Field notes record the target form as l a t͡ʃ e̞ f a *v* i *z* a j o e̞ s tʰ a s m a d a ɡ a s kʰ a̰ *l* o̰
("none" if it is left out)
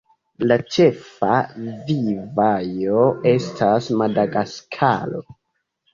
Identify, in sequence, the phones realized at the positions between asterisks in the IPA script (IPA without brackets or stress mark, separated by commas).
v, v, l